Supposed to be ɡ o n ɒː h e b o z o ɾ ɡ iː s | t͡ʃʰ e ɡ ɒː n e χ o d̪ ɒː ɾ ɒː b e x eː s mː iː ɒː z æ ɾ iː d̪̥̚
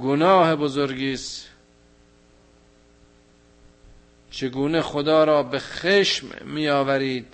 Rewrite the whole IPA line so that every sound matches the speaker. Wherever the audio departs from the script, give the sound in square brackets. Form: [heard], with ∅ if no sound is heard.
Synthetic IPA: ɡ o n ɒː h e b o z o ɾ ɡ iː s | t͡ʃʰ e ɡ [uː] n e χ o d̪ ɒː ɾ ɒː b e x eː [ʃ] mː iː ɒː [v] æ ɾ iː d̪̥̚